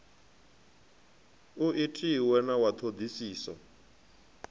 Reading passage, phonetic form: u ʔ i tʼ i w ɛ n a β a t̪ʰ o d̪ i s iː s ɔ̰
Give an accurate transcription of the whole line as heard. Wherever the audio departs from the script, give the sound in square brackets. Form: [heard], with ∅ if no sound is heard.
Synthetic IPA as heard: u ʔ i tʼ i w ɛ n a [w] a t̪ʰ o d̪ i s iː s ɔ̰